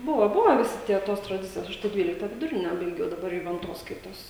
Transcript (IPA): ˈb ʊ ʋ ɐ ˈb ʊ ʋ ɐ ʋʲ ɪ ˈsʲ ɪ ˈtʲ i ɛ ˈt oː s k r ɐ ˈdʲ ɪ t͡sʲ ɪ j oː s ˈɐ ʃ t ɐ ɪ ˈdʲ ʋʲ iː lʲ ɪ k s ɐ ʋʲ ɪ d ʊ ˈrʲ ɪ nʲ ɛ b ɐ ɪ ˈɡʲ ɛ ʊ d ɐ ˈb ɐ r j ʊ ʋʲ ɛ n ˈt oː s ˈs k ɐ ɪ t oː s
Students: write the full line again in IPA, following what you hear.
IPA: ˈb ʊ ʋ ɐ ˈb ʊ ʋ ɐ ʋʲ ɪ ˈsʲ ɪ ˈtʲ i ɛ ˈt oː s t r ɐ ˈdʲ ɪ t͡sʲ ɪ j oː s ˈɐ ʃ t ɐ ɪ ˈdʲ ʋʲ iː lʲ ɪ k t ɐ ʋʲ ɪ d ʊ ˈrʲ ɪ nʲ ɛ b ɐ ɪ ˈɡʲ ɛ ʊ d ɐ ˈb ɐ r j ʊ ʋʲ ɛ n ˈt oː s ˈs k ɐ ɪ t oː s